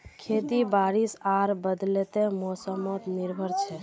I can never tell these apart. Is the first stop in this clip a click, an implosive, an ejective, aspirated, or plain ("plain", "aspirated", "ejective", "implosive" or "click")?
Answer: aspirated